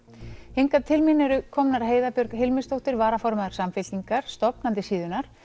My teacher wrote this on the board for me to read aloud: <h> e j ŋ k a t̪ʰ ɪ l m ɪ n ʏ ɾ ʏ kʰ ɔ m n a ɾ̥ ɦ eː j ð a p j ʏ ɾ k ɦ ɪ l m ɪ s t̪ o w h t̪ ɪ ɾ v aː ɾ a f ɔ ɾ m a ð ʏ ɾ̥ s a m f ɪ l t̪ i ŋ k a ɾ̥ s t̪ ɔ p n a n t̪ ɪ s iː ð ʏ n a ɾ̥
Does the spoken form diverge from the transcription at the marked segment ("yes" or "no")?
no